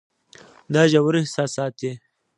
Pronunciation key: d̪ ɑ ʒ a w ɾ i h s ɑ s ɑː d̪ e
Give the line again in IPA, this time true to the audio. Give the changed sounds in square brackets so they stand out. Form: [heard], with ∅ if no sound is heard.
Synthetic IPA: d̪ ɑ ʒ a w ɾ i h s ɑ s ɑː [t̪] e